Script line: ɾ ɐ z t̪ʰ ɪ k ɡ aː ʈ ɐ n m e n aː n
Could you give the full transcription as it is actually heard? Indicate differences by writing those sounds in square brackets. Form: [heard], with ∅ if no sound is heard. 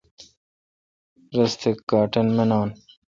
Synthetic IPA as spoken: ɾ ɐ [s] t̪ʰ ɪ k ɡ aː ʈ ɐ n m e n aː n